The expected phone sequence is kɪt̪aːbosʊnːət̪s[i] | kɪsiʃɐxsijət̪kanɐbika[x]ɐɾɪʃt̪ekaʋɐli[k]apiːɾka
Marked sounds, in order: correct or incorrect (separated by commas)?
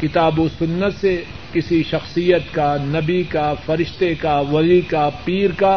incorrect, incorrect, correct